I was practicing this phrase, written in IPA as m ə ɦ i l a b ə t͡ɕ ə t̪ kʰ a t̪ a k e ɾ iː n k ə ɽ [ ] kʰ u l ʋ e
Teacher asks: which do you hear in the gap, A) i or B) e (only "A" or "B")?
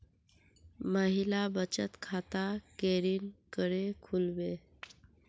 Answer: B